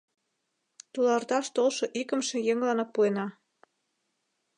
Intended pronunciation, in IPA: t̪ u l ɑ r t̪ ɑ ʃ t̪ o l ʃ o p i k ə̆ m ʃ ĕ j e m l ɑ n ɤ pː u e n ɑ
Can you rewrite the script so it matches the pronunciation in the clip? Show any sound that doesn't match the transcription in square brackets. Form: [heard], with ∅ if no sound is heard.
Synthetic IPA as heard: t̪ u l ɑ r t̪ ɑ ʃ t̪ o l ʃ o [ʔ] i k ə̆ m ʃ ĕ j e [ŋ] l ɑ n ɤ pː u e n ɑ

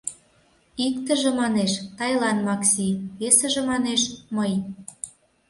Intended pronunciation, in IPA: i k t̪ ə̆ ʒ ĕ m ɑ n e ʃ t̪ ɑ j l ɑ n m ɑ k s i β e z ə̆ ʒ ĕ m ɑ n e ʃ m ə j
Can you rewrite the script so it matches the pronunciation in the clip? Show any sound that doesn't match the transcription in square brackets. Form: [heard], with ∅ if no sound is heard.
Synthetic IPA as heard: i k t̪ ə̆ ʒ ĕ m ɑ n e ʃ t̪ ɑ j l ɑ n m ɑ k s i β e [s] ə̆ ʒ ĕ m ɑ n e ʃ m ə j

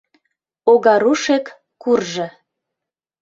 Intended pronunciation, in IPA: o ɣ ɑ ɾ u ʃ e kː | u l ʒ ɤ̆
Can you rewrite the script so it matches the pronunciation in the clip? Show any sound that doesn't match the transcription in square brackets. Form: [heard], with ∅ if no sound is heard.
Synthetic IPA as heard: o ɣ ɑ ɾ u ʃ e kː | u [r] ʒ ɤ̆

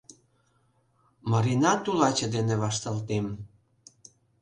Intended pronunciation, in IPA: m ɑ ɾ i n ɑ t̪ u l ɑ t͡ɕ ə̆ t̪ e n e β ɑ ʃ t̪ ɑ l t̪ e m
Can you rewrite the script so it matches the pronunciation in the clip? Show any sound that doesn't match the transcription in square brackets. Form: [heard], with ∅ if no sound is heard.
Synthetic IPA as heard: m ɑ ɾ i n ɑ t̪ u l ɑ t͡ɕ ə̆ [d̪] e n e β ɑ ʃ t̪ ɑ l t̪ e m

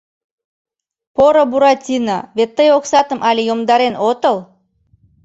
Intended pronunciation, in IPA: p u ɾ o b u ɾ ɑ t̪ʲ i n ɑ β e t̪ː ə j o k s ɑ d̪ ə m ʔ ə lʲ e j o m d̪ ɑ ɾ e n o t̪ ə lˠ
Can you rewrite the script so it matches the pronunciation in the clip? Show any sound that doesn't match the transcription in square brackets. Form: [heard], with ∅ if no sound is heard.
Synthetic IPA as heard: p [o] ɾ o b u ɾ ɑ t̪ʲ i n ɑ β e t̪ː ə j o k s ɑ [t̪] ə m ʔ [ɑ] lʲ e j o m d̪ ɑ ɾ e n o t̪ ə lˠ

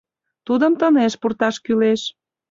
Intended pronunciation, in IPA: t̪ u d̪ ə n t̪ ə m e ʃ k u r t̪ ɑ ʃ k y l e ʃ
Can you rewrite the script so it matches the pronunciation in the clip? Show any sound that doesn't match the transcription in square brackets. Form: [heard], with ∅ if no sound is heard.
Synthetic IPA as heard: t̪ u d̪ ə [m] t̪ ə [n] e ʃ [p] u r t̪ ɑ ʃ k y l e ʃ

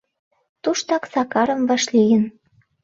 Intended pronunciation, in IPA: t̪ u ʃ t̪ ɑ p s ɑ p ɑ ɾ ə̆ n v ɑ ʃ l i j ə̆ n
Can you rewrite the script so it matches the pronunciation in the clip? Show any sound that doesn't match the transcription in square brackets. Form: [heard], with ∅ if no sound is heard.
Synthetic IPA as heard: t̪ u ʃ t̪ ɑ [k] s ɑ [k] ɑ ɾ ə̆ [m] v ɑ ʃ l i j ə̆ n

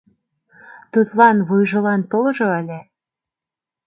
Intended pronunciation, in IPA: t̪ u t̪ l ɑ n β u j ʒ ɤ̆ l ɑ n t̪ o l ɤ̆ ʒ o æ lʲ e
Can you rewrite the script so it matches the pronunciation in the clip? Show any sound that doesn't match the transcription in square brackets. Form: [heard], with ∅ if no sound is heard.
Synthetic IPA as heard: t̪ u t̪ l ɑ n β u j ʒ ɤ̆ l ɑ n t̪ o l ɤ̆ ʒ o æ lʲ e

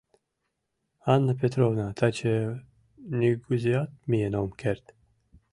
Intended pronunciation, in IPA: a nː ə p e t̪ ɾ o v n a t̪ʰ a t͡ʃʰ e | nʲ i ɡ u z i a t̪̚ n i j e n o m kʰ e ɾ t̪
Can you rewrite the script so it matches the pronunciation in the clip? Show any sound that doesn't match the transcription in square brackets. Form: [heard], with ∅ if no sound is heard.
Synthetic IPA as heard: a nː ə p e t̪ ɾ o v n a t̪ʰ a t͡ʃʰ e | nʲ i ɡ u z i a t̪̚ [m] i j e n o m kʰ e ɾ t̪

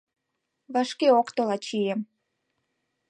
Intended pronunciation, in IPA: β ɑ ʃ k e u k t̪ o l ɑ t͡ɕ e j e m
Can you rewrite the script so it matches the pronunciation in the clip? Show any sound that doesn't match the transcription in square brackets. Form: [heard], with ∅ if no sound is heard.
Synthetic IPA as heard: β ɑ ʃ k e [o] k t̪ o l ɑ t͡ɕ [i] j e m

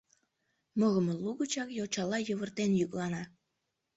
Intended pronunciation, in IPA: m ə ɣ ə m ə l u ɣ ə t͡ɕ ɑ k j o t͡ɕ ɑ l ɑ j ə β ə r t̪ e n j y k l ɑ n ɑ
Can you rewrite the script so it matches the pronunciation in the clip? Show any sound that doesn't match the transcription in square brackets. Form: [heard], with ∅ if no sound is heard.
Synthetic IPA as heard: m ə ɣ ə m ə l u ɣ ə t͡ɕ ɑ k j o t͡ɕ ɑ l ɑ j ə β ə r t̪ e n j y k l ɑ n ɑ

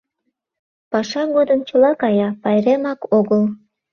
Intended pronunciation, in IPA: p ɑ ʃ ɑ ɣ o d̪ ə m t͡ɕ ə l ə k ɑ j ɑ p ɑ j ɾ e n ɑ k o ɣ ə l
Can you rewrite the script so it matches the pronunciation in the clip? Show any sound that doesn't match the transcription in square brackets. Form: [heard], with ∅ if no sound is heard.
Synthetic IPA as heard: p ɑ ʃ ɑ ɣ o d̪ ə m t͡ɕ ə l [ɑ] k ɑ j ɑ p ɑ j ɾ e [m] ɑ k o ɣ ə l

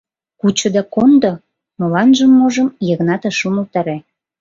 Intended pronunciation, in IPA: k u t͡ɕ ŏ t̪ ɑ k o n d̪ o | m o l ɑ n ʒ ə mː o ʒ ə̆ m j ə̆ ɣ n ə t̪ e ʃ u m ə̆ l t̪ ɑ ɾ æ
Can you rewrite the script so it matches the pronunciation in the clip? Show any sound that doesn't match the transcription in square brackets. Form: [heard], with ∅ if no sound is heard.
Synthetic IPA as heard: k u t͡ɕ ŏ [d̪] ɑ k o n d̪ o | m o l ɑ n ʒ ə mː o ʒ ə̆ m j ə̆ ɣ n [ɑ] t̪ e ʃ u m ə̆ l t̪ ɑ ɾ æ

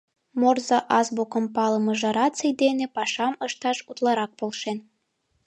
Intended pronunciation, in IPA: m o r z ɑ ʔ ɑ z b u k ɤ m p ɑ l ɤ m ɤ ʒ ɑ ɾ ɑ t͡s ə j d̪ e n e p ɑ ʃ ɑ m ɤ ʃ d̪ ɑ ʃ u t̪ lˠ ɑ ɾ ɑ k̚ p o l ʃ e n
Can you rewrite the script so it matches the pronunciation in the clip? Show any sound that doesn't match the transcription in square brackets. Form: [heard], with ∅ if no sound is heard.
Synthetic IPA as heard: m o r z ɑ ʔ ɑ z b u k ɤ m p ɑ l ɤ m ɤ ʒ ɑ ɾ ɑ t͡s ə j d̪ e n e p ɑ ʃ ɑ m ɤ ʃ [t̪] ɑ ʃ u t̪ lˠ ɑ ɾ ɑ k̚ p o l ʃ e n

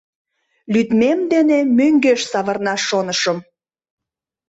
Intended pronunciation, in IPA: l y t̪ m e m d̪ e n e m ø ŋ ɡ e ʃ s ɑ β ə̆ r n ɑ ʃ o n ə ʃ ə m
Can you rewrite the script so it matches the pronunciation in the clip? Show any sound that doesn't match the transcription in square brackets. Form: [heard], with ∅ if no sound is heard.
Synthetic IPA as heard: l y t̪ m e m d̪ e n e m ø ŋ ɡ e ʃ s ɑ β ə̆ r n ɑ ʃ o n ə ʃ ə m

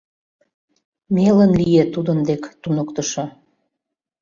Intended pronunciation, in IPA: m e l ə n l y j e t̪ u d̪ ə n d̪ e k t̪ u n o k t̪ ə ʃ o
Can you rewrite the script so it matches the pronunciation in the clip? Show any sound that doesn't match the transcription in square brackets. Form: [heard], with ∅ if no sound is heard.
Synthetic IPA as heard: m e l ə n l [i] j e t̪ u d̪ ə n d̪ e k t̪ u n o k t̪ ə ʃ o

